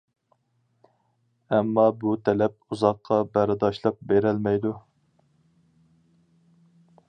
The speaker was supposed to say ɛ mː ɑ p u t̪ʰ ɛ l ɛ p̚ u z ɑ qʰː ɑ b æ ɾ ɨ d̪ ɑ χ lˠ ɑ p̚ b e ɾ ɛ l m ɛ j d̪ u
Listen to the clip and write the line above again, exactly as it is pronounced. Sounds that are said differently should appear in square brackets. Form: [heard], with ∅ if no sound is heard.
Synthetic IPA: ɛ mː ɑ [b] u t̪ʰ ɛ l ɛ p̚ u z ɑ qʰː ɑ b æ ɾ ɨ d̪ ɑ [ʃ] lˠ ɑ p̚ b e ɾ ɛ l m ɛ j d̪ u